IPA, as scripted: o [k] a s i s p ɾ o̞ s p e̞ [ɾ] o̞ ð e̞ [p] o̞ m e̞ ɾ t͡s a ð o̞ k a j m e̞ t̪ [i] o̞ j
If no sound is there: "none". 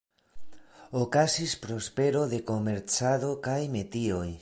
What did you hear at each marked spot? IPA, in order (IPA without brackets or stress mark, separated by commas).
k, ɾ, k, i